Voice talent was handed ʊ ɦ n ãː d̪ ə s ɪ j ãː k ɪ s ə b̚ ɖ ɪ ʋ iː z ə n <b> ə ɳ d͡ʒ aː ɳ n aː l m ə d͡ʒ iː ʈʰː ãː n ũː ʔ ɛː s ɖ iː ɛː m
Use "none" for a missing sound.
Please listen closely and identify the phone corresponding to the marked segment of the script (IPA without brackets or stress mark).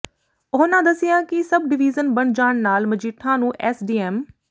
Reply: b